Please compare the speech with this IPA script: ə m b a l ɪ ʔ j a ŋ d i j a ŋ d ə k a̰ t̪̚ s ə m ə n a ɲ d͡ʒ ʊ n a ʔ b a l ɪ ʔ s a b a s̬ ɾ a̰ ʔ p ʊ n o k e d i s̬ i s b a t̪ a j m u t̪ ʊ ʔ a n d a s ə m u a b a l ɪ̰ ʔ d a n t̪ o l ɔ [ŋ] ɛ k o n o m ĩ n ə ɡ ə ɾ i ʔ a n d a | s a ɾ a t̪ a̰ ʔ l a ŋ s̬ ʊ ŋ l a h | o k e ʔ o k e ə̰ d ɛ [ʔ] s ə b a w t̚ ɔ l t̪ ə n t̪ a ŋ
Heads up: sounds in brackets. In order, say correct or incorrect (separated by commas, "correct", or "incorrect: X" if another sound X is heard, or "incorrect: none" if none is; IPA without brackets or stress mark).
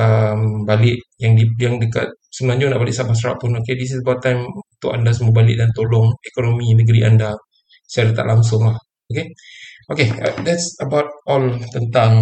correct, incorrect: t